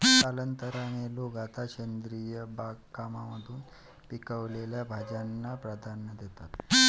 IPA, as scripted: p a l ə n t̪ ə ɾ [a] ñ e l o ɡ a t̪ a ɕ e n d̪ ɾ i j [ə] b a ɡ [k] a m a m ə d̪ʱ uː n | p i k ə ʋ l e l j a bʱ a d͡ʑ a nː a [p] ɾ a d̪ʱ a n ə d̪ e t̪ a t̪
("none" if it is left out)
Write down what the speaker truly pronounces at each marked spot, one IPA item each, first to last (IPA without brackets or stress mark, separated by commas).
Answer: a, ə, k, p